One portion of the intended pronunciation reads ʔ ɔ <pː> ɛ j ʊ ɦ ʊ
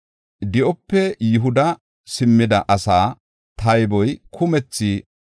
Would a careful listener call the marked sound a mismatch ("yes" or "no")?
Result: no